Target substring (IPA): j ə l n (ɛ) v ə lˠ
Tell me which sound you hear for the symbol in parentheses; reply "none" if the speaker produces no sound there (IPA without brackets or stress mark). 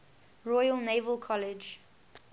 e